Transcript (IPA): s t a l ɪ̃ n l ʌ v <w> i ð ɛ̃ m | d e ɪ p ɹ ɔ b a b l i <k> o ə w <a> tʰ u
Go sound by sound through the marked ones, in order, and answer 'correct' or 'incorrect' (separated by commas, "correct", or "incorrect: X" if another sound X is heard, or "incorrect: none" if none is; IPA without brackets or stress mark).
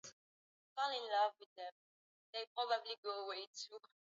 correct, incorrect: ɡ, incorrect: e